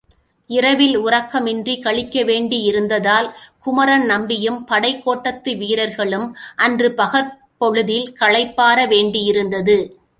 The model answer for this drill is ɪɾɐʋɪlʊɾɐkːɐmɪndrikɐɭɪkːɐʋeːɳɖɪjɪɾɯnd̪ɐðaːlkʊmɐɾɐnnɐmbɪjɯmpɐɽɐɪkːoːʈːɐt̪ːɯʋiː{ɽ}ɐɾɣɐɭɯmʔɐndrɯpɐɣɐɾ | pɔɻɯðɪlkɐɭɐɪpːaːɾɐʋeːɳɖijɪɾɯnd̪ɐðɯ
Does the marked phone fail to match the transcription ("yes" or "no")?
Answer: yes